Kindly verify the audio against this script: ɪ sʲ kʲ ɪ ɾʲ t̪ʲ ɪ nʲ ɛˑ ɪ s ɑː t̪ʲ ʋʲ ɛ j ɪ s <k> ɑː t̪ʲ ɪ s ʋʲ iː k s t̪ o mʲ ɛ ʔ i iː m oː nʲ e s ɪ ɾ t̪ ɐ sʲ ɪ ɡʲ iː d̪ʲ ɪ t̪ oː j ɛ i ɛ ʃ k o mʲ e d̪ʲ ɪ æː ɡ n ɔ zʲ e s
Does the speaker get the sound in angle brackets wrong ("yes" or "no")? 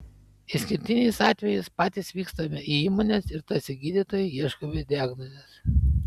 yes